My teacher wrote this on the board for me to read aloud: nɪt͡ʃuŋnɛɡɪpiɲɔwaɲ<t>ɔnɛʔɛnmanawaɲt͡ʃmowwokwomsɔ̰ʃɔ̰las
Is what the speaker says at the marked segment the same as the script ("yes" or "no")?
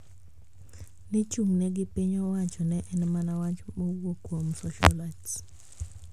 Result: no